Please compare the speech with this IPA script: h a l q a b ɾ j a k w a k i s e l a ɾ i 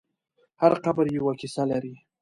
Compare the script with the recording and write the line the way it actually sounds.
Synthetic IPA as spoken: h a ɾ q a b ɾ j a w a k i s a l a ɾ i